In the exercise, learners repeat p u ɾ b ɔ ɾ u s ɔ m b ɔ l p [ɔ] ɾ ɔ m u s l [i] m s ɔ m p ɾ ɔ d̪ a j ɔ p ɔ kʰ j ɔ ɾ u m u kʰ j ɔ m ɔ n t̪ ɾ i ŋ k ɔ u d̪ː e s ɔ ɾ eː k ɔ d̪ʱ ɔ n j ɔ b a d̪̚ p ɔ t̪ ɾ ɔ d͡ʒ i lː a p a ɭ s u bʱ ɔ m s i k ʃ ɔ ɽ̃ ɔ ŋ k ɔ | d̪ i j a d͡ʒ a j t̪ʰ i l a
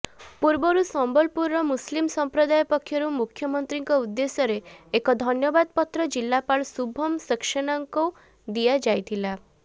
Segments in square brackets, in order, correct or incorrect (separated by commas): incorrect, correct